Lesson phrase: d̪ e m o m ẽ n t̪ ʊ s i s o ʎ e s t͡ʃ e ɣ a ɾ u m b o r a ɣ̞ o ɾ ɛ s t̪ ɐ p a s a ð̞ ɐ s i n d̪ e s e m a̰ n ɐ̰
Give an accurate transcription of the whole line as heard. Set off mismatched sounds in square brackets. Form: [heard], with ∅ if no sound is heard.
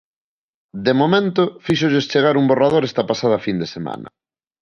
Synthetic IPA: d̪ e m o m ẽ n t̪ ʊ [f] i [ʃ] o ʎ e s t͡ʃ e ɣ a ɾ u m b o r a [ð̞] o ɾ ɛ s t̪ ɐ p a s a ð̞ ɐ [f] i n d̪ e s e m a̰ n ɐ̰